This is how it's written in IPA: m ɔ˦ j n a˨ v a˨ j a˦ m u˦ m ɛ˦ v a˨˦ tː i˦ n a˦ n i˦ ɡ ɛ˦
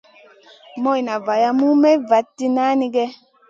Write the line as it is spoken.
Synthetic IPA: m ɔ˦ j n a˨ v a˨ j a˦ m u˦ m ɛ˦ v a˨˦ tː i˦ n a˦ n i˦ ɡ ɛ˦